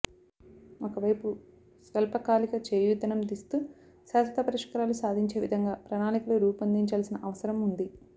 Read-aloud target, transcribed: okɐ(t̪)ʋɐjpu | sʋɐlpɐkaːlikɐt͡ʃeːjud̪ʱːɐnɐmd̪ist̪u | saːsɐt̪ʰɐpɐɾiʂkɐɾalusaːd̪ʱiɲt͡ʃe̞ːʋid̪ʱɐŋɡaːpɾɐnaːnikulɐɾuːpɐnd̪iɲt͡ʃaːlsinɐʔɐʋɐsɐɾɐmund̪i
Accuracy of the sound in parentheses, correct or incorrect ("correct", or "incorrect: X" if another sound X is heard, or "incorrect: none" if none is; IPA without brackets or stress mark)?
incorrect: none